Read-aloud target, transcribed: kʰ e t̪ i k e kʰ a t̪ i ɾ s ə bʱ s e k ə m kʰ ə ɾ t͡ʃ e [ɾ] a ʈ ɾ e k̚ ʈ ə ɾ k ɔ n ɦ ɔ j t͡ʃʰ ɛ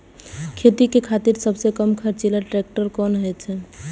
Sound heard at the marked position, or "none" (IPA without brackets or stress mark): l